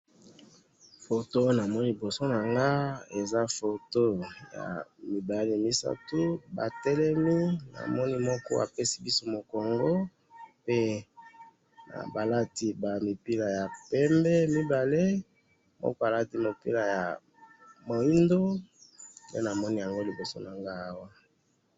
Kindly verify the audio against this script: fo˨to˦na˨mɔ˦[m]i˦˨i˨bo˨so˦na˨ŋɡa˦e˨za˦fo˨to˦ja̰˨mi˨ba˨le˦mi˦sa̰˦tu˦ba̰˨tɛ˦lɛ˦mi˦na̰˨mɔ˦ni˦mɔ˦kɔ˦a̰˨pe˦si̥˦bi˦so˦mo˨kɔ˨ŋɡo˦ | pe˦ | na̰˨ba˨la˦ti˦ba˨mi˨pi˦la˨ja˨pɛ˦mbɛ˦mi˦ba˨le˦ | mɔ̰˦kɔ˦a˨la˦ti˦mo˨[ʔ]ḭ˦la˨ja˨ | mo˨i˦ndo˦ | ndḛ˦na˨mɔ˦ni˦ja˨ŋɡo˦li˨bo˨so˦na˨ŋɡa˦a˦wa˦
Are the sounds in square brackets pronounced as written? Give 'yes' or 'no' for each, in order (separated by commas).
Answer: no, no